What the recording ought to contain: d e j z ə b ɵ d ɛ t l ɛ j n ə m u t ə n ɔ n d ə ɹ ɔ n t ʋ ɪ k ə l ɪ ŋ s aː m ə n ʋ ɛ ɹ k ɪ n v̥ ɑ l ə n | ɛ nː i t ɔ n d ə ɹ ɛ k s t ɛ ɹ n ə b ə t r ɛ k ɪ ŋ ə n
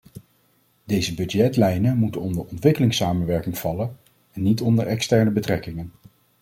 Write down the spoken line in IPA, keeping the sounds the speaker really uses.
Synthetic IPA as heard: d e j z ə b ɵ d ɛ t l ɛ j n ə m u t ə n ɔ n d ə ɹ ɔ n t ʋ ɪ k ə l ɪ ŋ s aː m ə n ʋ ɛ ɹ k ɪ ŋ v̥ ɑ l ə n | ɛ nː i t ɔ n d ə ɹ ɛ k s t ɛ ɹ n ə b ə t r ɛ k ɪ ŋ ə n